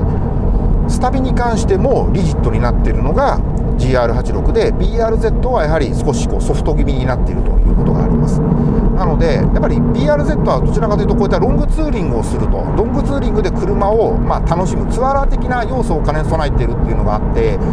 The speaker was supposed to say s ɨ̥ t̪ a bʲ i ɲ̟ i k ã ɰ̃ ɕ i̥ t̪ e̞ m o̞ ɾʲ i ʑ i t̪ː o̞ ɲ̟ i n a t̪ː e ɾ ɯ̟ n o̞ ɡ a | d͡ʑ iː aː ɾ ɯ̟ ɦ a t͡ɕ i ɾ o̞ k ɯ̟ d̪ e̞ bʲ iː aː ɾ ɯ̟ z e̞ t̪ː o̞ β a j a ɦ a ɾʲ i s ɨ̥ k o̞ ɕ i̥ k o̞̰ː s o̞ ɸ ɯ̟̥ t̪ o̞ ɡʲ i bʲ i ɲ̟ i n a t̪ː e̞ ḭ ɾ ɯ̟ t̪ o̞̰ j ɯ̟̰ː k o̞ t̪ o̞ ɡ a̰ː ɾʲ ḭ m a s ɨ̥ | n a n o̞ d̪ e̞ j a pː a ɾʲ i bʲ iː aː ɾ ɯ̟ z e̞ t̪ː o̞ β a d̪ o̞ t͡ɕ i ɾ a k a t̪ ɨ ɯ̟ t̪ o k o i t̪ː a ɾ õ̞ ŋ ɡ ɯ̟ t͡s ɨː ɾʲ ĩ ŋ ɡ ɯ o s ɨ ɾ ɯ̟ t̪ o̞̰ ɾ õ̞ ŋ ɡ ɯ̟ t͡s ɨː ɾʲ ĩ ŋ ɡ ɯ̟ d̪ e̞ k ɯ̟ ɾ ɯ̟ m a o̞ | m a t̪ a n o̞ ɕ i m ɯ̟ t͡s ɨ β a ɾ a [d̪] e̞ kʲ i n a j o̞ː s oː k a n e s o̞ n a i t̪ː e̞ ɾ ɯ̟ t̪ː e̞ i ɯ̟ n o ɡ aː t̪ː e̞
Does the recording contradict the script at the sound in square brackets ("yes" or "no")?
yes